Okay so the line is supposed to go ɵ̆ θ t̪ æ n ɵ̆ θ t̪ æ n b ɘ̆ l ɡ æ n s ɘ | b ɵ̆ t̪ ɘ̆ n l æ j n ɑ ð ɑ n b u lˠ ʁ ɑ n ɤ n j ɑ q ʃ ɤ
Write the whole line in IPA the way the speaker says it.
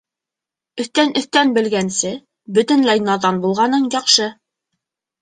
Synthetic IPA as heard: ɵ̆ θ t̪ æ n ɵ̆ θ t̪ æ n b ɘ̆ l ɡ æ n s ɘ | b ɵ̆ t̪ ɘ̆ n l æ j n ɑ ð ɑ n b u lˠ ʁ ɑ n ɤ ɴ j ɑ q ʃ ɤ